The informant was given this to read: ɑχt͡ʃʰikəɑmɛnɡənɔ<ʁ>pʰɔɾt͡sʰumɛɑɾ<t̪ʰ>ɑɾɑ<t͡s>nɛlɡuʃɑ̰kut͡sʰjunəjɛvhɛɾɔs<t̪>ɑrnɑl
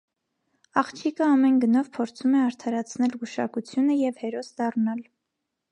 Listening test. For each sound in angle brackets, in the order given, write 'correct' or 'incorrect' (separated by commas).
incorrect, correct, incorrect, incorrect